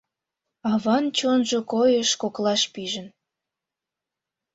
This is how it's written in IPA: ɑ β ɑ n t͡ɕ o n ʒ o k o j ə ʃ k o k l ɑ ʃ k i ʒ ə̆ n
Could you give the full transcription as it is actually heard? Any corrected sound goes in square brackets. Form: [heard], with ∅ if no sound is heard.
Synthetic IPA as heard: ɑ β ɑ n t͡ɕ o n ʒ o k o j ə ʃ k o k l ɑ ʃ [p] i ʒ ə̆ n